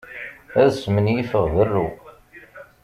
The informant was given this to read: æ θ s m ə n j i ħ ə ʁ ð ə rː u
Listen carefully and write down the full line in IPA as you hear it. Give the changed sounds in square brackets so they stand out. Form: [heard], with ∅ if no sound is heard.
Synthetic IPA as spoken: æ [ð] s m ə n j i [f] ə ʁ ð ə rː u